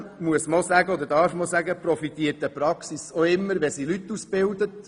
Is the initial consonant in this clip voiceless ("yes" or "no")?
no